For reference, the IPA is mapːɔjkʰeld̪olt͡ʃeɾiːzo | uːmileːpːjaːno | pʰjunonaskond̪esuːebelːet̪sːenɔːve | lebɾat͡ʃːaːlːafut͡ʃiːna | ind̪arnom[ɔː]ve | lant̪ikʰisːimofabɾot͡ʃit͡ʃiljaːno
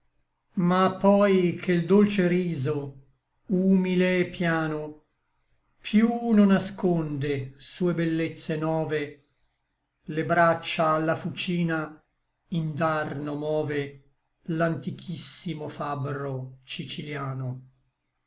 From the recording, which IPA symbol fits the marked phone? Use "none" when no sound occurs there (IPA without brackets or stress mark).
ɔː